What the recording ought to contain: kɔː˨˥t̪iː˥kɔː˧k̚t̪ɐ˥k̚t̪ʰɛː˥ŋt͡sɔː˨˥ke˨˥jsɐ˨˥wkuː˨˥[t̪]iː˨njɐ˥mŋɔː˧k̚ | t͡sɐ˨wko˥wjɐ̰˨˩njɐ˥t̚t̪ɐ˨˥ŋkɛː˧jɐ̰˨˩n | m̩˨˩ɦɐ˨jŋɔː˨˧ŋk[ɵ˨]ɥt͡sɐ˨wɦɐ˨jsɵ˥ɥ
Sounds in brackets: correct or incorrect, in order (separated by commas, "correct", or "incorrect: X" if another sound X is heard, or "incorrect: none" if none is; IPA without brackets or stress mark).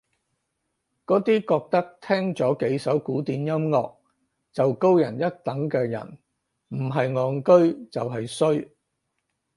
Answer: correct, incorrect: ɵ˥